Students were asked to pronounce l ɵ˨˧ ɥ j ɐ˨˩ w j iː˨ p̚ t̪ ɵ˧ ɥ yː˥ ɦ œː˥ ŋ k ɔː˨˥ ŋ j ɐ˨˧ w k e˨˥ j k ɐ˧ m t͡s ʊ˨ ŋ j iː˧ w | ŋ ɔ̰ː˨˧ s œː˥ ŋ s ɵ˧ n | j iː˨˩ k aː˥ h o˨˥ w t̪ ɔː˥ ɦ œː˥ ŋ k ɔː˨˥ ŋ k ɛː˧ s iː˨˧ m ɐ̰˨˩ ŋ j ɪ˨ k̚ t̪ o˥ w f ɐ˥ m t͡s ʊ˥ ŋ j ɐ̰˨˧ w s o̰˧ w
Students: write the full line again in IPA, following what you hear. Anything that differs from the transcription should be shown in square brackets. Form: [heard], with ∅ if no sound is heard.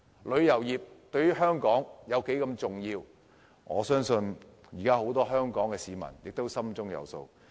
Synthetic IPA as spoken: l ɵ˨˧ ɥ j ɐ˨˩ w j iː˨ p̚ t̪ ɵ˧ ɥ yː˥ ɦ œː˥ ŋ k ɔː˨˥ ŋ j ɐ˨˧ w k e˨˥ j k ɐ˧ m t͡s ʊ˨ ŋ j iː˧ w | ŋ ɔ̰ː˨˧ s œː˥ ŋ s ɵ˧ n | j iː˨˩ k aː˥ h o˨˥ w t̪ ɔː˥ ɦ œː˥ ŋ k ɔː˨˥ ŋ k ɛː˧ s iː˨˧ m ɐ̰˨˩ [n] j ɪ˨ k̚ t̪ o˥ w [s] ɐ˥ m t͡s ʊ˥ ŋ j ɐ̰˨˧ w s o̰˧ w